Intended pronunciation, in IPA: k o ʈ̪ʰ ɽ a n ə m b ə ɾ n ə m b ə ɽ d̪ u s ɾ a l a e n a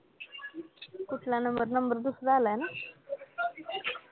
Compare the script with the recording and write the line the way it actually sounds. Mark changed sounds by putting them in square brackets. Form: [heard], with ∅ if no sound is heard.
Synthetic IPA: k [u] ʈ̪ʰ [l] a n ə m b ə ɾ n ə m b ə [ɾ] d̪ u s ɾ a l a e n a